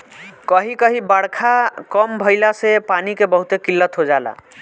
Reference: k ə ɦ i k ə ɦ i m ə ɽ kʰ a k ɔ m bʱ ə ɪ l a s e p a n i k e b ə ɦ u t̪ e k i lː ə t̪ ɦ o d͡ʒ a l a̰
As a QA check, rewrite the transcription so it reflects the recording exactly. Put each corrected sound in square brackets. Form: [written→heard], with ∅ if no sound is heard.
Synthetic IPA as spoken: k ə ɦ i k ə ɦ i [m→b] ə ɽ kʰ a k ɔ m bʱ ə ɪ l a s e p a n i k e b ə ɦ u t̪ e k i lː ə t̪ ɦ o d͡ʒ a l a̰